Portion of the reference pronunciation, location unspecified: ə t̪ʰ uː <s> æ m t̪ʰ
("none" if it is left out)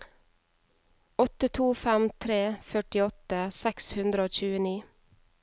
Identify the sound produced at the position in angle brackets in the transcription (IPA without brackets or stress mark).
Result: f